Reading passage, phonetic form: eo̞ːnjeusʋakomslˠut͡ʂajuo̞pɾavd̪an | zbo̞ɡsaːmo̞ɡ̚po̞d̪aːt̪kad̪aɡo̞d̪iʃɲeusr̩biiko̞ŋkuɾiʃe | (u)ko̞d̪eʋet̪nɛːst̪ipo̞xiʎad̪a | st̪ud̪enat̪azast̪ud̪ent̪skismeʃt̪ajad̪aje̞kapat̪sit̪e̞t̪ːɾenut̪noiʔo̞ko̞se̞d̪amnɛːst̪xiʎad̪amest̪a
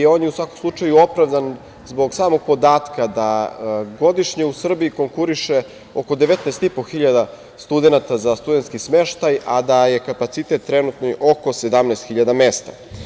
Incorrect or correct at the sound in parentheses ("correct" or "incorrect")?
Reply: incorrect